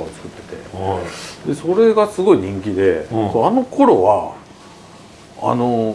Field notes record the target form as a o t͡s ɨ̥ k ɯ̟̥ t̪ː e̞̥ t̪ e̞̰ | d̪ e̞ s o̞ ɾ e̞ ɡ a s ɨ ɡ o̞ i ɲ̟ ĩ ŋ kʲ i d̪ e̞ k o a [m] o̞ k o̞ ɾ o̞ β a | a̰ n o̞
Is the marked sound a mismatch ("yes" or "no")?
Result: yes